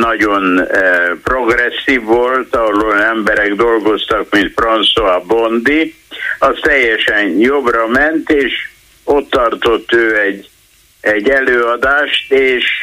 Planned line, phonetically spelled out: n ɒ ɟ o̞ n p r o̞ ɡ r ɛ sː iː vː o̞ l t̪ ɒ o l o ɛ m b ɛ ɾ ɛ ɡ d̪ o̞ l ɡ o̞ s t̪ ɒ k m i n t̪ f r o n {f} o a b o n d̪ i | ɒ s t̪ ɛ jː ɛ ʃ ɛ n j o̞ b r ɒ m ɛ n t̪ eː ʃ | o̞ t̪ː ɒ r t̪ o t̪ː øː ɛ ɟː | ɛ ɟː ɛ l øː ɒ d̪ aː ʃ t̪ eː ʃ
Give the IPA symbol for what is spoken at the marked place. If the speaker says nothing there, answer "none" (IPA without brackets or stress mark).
s